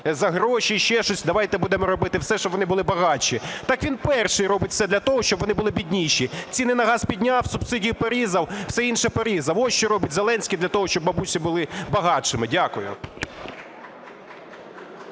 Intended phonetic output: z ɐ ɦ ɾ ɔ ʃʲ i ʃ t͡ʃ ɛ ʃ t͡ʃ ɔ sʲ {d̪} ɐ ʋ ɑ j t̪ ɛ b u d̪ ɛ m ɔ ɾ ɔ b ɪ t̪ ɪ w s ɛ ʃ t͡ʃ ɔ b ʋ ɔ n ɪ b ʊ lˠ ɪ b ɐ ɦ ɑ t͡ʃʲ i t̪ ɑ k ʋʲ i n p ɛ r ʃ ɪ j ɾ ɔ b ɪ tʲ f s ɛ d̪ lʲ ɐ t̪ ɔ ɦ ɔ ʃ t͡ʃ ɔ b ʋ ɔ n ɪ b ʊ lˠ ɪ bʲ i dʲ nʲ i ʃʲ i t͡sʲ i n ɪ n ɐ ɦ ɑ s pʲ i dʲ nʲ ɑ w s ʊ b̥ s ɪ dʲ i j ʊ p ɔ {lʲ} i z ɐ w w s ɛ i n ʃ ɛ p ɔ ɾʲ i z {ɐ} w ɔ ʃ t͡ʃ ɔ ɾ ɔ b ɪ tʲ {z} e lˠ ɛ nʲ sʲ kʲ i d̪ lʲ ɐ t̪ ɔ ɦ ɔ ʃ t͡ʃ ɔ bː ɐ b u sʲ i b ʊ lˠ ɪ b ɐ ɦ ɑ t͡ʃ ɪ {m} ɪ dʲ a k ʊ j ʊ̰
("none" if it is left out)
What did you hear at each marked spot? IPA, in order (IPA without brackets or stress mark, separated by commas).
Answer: d̪, ɾʲ, ɐ, z, m